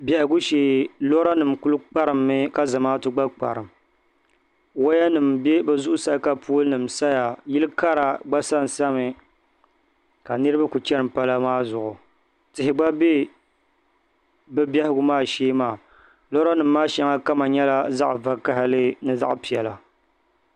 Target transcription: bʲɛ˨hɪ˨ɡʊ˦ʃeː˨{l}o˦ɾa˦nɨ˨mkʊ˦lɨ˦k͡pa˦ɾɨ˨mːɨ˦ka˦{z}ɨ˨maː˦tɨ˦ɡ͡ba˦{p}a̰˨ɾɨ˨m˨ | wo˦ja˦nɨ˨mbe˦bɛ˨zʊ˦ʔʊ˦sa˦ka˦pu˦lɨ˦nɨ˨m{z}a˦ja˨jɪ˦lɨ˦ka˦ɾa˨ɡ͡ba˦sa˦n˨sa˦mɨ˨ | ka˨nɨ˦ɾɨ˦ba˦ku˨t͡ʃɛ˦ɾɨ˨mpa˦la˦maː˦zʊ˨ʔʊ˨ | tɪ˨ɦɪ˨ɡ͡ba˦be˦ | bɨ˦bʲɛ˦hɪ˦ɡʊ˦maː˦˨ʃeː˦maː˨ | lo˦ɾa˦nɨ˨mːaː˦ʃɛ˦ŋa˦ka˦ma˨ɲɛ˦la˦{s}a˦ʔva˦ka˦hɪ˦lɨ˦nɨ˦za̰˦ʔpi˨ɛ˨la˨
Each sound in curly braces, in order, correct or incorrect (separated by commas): correct, correct, incorrect, incorrect, incorrect